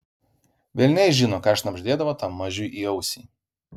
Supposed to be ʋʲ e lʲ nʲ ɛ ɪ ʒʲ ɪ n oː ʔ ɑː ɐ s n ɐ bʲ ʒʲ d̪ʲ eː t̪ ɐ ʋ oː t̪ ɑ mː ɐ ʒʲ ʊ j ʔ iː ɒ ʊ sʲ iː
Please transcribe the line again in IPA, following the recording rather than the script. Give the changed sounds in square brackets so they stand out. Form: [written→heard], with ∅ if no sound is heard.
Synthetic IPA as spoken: ʋʲ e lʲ nʲ ɛ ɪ ʒʲ ɪ n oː [ʔ→k] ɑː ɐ [s→ʃ] n ɐ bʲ ʒʲ d̪ʲ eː [t̪→d̪] ɐ ʋ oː t̪ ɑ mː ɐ ʒʲ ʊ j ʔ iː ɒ ʊ sʲ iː